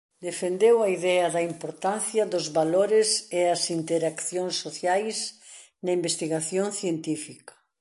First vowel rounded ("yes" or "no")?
no